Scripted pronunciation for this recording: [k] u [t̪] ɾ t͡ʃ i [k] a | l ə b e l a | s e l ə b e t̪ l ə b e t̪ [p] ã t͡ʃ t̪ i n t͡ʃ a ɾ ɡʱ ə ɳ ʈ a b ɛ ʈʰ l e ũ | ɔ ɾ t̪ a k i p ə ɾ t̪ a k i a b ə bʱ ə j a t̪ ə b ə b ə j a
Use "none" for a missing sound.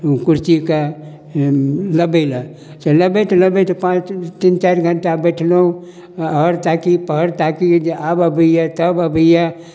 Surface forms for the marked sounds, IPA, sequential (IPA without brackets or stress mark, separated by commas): k, none, k, p